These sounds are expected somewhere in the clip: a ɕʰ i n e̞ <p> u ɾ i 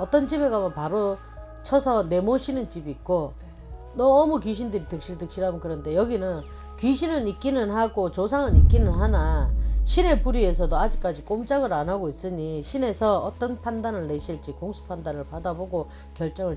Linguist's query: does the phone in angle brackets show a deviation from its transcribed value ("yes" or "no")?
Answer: no